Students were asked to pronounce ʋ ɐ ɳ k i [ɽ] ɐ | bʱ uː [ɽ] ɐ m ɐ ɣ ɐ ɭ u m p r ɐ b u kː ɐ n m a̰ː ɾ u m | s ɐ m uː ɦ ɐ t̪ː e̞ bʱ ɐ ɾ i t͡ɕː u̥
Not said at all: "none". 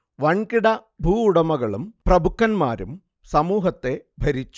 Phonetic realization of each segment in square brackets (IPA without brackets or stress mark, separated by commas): ɽ, ɽ